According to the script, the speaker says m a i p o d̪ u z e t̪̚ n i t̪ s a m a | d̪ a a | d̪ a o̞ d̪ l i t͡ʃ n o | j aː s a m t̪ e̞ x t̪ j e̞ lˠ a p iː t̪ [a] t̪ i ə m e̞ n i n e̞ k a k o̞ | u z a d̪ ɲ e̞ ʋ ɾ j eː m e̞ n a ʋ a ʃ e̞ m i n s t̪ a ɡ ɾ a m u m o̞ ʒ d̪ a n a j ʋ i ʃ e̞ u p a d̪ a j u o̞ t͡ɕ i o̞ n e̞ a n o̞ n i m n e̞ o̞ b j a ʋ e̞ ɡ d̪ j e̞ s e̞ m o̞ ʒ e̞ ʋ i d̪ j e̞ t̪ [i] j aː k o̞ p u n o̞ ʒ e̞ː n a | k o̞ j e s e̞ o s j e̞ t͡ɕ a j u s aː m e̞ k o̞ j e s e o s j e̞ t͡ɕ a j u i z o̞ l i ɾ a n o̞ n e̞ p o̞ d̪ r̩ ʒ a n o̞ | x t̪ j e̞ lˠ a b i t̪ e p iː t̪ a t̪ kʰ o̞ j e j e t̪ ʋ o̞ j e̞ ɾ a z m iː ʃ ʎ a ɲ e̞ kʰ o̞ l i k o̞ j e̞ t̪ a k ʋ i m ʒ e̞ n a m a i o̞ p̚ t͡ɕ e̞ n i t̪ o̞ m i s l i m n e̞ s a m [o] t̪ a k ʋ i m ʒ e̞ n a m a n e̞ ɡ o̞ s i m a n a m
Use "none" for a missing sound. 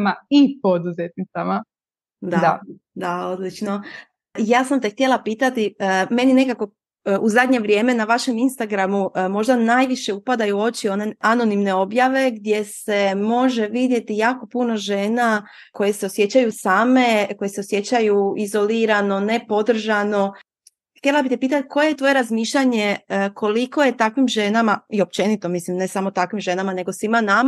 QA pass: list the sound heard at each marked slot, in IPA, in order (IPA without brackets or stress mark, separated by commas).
a, i, o